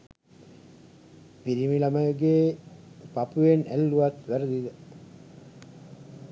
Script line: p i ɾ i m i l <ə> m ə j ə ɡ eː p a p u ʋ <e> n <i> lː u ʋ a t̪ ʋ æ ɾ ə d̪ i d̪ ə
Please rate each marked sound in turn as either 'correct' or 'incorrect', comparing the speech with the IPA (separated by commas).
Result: incorrect, correct, incorrect